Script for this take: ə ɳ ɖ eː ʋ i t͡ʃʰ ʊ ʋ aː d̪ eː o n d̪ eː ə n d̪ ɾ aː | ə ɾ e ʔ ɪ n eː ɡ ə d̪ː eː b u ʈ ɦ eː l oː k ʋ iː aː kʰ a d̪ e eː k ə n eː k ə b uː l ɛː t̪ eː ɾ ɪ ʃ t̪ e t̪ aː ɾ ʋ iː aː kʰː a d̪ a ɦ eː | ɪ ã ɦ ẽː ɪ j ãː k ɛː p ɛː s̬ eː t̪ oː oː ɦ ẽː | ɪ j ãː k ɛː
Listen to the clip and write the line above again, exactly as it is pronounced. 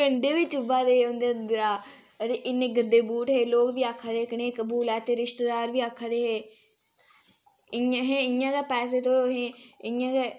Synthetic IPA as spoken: ə ɳ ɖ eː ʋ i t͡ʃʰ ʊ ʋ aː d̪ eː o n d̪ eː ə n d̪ ɾ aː | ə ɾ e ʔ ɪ n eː ɡ ə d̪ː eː b uː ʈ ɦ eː l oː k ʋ iː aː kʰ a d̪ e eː k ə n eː k ə b uː l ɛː t̪ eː ɾ ɪ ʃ t̪ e d̪ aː ɾ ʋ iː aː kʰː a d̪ e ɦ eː | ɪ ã ɦ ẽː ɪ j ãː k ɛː p ɛː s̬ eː t̪ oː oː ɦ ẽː | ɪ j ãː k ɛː